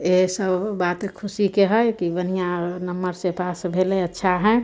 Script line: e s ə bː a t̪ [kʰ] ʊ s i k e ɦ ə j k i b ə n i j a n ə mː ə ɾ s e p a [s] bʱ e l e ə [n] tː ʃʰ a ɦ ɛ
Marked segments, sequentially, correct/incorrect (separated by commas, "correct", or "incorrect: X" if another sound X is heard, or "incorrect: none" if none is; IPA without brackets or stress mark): correct, correct, incorrect: none